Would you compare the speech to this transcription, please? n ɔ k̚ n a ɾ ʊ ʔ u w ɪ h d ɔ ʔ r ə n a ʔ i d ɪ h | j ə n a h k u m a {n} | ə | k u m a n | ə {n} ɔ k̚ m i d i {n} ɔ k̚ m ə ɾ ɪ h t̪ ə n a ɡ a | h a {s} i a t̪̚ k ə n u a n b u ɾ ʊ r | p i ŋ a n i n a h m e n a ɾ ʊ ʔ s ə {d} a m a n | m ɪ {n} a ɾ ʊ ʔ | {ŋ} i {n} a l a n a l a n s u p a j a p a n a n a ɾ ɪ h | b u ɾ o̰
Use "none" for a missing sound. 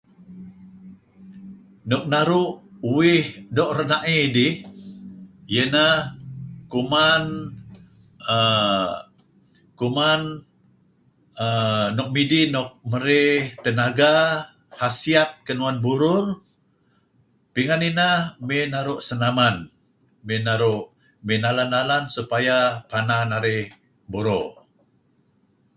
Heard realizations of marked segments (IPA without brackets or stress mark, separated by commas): n, n, n, s, n, n, m, n